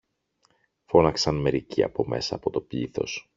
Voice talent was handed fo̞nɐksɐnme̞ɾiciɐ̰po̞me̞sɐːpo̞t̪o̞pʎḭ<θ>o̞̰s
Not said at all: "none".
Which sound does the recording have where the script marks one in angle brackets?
θ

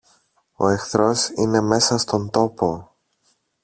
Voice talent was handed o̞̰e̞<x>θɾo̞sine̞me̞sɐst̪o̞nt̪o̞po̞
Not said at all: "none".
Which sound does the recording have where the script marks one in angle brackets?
x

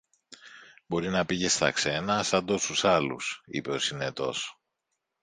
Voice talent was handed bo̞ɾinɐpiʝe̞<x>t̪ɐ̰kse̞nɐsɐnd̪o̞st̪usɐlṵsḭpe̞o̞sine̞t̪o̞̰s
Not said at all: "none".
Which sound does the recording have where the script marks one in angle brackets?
s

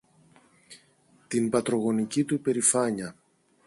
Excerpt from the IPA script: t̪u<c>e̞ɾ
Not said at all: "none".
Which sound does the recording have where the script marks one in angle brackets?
p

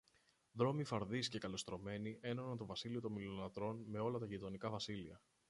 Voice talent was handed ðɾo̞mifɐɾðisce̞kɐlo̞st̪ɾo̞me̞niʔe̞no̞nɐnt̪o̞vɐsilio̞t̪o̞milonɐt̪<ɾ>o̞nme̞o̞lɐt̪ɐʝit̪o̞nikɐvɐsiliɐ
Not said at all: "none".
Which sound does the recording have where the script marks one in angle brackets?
ɾ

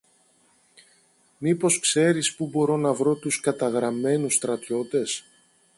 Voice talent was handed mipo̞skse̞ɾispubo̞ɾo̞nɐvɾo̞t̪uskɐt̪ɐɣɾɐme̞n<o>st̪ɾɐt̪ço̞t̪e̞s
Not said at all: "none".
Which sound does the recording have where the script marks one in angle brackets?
u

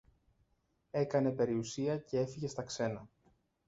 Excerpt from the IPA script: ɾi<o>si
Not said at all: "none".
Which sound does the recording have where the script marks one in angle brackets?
u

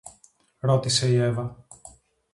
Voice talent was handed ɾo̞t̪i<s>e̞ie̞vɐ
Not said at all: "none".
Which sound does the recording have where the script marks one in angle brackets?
s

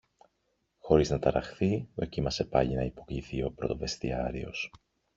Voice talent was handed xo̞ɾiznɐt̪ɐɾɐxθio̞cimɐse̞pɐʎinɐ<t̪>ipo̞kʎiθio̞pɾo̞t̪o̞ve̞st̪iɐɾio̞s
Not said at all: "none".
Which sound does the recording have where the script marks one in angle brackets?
none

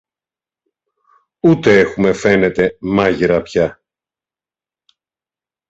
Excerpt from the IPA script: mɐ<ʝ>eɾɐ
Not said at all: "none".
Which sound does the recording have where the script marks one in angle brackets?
ʝ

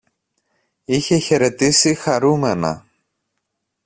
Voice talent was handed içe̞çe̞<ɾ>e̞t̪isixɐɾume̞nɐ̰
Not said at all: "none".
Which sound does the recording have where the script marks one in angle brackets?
ɾ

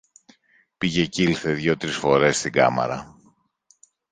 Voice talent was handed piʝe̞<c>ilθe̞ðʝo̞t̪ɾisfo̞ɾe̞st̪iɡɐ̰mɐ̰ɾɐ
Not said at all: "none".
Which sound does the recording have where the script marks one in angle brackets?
c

